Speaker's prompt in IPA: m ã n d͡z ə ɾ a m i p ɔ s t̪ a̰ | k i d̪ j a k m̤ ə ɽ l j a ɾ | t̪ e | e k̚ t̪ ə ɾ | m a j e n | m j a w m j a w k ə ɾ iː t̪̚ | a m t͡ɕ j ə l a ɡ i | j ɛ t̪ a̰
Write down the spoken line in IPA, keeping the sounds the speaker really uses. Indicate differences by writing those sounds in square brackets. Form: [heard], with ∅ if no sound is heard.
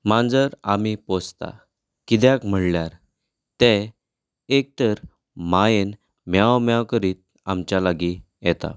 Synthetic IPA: m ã n d͡z ə ɾ a m i p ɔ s t̪ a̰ | k i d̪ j a k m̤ ə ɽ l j a ɾ | t̪ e | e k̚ t̪ ə ɾ | m a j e n | m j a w m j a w k ə ɾ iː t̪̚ | a m t͡ɕ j [a] l a ɡ i | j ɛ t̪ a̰